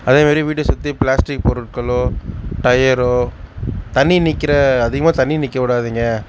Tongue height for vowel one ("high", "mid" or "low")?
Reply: low